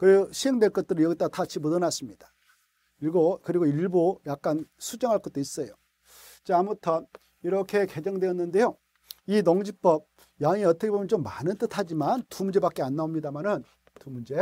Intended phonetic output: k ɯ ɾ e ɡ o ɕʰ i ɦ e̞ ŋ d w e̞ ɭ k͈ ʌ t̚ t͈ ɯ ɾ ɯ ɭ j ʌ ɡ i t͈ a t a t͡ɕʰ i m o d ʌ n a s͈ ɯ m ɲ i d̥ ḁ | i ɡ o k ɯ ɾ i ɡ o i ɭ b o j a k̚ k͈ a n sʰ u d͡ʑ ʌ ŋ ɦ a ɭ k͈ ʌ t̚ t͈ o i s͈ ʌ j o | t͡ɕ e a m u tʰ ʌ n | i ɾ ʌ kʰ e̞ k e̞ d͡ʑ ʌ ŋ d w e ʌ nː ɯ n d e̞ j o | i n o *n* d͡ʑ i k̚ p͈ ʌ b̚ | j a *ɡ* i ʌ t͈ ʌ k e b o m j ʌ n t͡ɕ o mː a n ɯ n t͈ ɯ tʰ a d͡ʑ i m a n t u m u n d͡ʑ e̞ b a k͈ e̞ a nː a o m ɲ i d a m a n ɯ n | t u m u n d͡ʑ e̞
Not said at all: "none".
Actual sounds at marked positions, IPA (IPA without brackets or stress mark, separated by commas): ŋ, ŋ